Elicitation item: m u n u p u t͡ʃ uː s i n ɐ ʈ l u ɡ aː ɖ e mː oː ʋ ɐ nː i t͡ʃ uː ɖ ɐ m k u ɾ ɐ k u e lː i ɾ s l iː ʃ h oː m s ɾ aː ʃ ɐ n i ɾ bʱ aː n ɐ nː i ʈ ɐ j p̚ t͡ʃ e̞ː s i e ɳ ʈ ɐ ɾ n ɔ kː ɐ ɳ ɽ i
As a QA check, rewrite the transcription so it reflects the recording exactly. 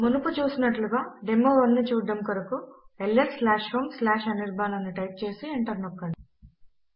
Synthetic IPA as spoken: m u n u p u t͡ʃ uː s i n ɐ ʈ l u ɡ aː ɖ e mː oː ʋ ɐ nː i t͡ʃ uː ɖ ɐ m k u ɾ ɐ k u e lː e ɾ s l aː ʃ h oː m s l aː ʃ ɐ n i ɾ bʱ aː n ɐ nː i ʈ ɐ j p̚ t͡ʃ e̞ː s i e ɳ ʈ ɐ ɾ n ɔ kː ɐ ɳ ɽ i